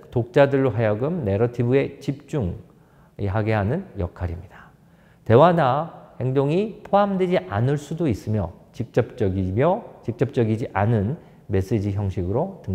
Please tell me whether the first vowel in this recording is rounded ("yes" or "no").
yes